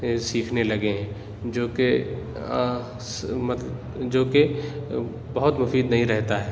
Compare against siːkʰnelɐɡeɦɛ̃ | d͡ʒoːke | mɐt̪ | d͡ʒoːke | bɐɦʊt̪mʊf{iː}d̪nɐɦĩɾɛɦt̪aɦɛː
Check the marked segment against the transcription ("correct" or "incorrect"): correct